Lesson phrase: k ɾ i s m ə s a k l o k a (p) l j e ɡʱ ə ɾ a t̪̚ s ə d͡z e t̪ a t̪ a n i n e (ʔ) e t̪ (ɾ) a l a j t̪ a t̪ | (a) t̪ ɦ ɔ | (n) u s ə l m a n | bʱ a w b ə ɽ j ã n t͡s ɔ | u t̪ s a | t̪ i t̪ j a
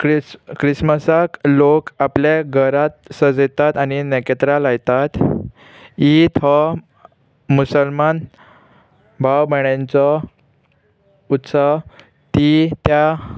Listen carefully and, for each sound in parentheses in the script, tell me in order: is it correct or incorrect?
correct, incorrect: k, correct, incorrect: i, incorrect: m

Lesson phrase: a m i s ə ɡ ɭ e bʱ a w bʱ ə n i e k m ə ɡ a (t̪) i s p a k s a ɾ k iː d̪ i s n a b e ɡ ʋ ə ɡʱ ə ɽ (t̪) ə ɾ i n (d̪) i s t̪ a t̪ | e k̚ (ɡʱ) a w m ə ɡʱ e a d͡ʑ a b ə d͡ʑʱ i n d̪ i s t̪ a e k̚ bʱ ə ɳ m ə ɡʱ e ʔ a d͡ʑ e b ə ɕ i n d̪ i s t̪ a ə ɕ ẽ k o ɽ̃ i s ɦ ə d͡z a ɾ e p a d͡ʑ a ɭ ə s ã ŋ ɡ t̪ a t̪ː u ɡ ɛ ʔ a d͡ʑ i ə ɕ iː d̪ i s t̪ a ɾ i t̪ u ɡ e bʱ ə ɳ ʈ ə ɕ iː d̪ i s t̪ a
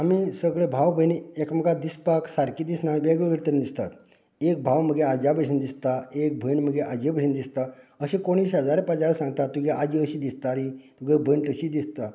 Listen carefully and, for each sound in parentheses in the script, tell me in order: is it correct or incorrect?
incorrect: d̪, correct, correct, incorrect: bʱ

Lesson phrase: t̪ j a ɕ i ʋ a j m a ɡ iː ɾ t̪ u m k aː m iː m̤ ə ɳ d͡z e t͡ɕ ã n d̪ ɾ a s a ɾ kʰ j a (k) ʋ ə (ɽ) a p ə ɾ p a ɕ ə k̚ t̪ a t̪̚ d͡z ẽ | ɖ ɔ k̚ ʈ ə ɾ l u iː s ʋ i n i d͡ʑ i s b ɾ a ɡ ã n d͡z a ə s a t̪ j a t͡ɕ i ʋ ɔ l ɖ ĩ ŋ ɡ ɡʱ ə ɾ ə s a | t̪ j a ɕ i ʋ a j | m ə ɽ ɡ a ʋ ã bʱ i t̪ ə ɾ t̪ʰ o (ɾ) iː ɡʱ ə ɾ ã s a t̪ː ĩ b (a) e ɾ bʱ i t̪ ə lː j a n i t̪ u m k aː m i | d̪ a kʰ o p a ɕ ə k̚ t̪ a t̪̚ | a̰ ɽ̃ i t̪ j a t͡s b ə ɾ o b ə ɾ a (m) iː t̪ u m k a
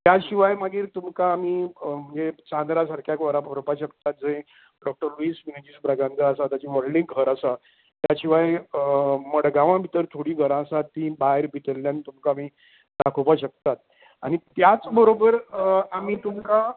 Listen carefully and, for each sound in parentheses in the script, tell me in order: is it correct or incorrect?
correct, incorrect: ɾ, incorrect: ɽ, correct, correct

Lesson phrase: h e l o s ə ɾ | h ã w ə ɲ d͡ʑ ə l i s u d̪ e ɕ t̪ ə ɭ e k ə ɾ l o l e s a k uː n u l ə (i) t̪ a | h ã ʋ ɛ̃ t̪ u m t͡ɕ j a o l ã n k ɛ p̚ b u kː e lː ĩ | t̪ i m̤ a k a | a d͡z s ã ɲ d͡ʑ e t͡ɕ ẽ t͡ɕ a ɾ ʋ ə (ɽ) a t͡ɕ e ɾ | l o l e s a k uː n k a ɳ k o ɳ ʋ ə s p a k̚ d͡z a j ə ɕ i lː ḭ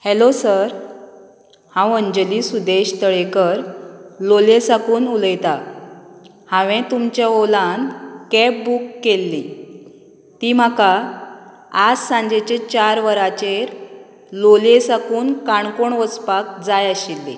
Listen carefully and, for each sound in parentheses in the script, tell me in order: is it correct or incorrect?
incorrect: j, incorrect: ɾ

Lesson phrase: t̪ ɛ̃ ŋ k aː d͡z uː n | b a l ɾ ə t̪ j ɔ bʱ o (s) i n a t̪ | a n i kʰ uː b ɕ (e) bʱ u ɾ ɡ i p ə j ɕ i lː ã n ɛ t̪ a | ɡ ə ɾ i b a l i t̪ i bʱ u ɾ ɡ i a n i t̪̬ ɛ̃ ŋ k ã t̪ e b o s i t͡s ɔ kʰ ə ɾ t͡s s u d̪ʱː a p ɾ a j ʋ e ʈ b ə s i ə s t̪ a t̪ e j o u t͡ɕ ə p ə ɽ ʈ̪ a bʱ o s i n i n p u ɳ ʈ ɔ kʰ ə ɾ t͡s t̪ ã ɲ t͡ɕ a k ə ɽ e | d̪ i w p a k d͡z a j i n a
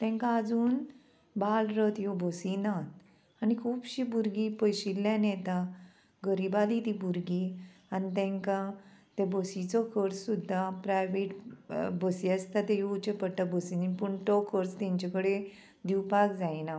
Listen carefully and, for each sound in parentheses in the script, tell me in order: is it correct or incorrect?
correct, incorrect: i

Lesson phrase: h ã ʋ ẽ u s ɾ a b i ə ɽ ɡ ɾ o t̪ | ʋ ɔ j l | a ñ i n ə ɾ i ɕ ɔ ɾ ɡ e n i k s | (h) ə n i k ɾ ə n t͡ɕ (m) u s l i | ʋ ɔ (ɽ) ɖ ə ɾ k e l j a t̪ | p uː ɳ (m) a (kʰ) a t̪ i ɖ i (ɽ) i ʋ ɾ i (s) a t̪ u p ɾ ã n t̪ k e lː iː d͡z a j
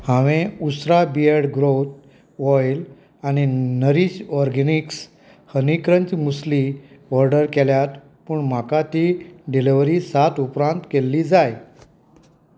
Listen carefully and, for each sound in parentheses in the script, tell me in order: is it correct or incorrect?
correct, correct, incorrect: ɾ, correct, incorrect: k, incorrect: l, correct

